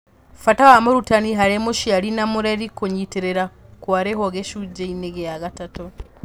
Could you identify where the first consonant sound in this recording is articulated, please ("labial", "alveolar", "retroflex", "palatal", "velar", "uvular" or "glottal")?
labial